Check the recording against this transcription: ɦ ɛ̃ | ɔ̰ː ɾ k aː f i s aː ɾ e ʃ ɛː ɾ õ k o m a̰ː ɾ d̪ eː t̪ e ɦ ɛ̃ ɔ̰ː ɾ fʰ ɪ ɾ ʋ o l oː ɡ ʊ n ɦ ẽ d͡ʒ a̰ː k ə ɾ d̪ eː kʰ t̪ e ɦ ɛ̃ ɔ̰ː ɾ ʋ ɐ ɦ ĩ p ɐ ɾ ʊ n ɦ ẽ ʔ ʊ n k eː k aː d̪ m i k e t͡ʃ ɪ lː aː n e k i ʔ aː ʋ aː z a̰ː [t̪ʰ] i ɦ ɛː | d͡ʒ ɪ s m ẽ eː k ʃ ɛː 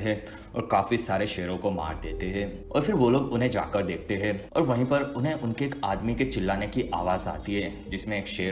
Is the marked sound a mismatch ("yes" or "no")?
yes